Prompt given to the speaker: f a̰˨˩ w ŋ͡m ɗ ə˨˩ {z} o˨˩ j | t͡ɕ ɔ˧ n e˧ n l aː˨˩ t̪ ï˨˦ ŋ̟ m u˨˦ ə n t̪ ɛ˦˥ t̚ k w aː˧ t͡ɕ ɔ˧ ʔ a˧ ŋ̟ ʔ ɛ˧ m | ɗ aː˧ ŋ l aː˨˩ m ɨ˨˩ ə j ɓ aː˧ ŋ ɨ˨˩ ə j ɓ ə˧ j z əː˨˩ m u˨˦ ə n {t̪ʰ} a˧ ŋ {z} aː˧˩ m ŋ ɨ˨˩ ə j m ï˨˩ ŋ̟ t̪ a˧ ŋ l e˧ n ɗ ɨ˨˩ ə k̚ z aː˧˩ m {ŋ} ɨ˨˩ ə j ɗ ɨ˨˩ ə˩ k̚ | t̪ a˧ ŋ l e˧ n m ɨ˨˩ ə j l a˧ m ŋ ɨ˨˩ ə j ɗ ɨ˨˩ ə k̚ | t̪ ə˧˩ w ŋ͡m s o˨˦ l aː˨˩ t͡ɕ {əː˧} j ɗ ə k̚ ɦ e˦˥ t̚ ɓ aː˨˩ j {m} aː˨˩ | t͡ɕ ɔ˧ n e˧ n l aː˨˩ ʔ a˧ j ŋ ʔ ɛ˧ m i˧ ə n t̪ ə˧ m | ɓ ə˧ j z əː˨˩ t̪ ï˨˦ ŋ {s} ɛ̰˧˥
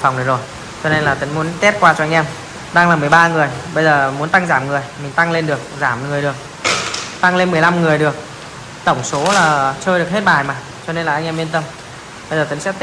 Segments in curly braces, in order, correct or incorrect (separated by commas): correct, incorrect, correct, correct, correct, correct, correct